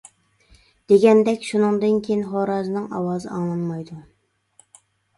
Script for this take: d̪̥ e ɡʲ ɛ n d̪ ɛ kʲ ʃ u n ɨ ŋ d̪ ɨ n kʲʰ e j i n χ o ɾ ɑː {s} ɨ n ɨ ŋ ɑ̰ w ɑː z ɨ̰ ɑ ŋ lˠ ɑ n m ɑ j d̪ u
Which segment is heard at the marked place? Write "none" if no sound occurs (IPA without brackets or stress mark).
z